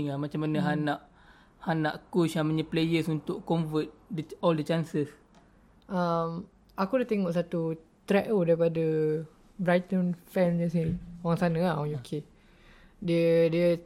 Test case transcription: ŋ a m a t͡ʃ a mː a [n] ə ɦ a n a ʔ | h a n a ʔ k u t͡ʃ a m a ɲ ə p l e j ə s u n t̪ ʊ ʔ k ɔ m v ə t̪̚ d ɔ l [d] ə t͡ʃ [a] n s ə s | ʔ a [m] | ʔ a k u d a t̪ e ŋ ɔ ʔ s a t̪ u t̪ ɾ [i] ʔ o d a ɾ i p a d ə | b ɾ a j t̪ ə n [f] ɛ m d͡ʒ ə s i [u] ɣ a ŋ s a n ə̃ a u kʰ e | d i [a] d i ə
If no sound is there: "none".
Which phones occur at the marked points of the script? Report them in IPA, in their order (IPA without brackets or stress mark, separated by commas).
n, d, a, m, ɛ, f, o, ə